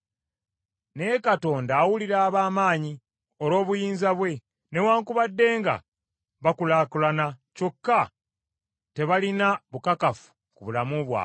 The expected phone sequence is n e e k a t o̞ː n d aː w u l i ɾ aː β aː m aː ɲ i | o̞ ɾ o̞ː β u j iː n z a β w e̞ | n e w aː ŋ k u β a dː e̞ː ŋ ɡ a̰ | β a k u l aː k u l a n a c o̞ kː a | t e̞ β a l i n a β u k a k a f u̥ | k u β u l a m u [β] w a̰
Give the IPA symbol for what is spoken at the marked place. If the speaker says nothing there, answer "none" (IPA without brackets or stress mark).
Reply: β